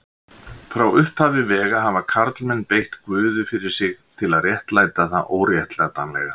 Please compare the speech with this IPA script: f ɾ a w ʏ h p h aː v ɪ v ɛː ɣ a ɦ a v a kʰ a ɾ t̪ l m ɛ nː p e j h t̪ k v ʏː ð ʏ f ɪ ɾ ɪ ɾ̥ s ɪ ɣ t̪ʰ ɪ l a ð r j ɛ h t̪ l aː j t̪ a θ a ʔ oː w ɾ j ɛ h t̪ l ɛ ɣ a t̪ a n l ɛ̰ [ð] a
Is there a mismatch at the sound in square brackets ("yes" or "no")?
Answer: yes